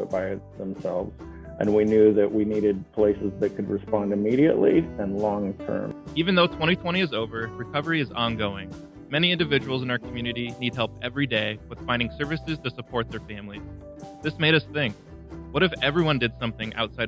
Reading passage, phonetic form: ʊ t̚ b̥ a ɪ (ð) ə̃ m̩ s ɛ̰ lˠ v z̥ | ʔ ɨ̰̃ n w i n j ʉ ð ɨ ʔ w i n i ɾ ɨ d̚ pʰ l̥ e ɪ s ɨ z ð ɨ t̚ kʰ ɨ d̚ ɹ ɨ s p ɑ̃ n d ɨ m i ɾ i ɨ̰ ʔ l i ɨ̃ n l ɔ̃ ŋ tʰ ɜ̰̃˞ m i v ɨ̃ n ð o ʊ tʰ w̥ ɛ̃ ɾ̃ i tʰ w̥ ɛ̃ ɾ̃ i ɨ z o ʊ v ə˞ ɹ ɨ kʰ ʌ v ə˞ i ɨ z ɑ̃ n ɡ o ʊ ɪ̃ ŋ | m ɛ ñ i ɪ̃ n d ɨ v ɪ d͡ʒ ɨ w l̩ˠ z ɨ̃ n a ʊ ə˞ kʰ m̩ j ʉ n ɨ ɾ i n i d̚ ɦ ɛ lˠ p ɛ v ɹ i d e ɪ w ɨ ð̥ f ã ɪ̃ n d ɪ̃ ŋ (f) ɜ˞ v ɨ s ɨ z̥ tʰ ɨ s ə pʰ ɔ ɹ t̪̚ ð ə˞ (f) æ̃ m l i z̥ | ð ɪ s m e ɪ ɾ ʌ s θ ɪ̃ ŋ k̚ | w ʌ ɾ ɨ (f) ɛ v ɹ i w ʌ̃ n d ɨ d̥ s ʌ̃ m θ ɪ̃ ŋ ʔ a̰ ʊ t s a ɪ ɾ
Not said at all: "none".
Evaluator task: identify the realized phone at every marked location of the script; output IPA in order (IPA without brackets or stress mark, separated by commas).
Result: ð, s, f, f